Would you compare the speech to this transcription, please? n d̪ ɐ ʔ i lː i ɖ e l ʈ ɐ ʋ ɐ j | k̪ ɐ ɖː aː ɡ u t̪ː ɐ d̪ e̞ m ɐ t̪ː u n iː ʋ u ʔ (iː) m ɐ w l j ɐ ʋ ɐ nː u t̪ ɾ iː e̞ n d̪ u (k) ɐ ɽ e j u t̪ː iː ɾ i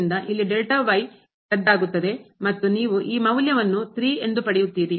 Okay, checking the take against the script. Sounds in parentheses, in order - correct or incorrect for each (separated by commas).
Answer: correct, incorrect